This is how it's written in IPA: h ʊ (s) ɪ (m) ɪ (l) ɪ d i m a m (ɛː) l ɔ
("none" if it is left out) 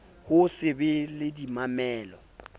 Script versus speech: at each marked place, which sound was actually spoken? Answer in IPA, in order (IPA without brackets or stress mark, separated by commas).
s, b, l, ɛː